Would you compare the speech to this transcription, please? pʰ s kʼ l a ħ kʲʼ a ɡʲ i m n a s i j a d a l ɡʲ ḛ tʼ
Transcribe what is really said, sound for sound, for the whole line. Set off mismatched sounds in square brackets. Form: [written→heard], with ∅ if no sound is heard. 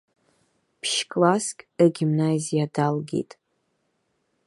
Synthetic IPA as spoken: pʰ [s→ʃ] kʼ l a [ħ→s] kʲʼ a ɡʲ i m n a [s→z] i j a d a l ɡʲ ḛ tʼ